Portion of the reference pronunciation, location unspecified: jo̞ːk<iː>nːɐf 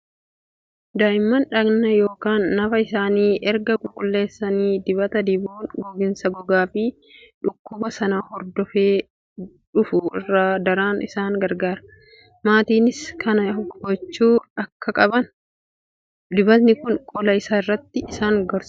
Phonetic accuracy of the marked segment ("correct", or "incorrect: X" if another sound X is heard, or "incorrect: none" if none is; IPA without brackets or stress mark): incorrect: aː